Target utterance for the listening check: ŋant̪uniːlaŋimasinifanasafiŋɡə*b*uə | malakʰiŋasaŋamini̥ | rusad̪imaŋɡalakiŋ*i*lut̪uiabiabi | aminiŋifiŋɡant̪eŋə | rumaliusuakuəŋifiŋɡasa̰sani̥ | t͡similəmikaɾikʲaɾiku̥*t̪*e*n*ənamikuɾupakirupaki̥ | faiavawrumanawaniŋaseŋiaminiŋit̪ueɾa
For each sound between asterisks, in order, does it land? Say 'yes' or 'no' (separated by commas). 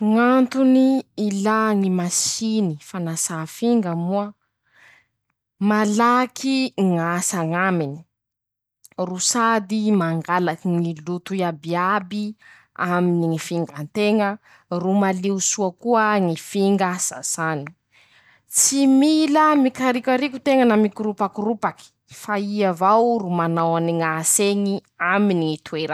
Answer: no, yes, yes, no